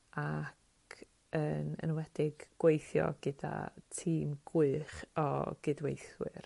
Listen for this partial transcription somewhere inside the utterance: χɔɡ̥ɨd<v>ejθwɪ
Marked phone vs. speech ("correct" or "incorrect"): incorrect